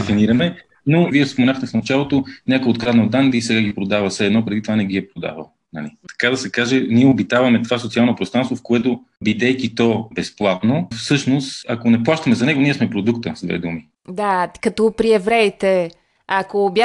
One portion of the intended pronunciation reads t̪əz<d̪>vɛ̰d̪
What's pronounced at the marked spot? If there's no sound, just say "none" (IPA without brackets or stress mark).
d̪